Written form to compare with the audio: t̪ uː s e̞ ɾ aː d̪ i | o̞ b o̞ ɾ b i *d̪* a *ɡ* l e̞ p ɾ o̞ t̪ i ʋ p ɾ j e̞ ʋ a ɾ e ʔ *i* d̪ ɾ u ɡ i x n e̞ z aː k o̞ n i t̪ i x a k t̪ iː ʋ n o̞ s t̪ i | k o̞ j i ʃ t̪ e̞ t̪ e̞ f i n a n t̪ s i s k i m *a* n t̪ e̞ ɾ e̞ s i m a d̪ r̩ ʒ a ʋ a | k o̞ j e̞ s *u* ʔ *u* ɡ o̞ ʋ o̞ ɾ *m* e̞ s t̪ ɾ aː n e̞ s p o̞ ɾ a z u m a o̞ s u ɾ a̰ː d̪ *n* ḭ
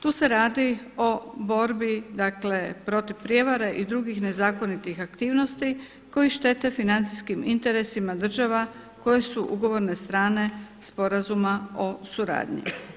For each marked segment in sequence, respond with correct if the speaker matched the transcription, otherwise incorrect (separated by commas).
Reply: correct, incorrect, correct, incorrect, correct, correct, incorrect, incorrect